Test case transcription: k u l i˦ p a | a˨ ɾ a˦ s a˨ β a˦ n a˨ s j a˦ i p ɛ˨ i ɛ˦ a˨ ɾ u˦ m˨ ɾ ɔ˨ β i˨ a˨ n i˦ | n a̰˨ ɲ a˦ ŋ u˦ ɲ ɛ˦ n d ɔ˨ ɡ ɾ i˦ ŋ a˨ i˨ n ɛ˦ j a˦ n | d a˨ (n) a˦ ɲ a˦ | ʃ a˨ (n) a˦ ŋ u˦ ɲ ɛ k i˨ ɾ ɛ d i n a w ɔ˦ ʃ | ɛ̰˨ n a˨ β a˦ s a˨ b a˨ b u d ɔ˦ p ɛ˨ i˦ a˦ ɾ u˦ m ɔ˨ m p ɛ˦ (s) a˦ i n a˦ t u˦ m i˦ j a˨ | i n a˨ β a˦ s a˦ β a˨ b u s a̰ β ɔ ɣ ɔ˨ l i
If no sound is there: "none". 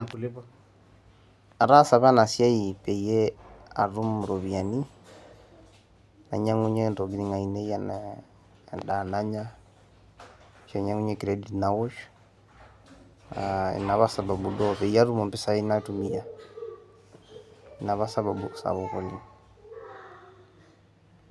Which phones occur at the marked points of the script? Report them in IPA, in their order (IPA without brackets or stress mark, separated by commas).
n, ɲ, s